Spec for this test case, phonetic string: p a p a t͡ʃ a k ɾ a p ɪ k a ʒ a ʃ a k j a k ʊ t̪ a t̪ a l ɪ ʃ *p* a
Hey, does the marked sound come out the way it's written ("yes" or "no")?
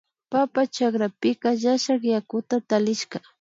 no